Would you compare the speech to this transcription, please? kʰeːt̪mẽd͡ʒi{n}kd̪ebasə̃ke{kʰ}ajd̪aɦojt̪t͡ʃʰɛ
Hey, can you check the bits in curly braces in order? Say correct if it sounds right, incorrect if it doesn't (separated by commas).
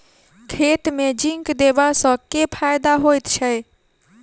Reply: incorrect, incorrect